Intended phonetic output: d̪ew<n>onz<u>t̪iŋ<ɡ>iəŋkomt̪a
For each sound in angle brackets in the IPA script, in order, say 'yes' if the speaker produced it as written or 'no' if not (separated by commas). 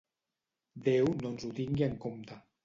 yes, yes, yes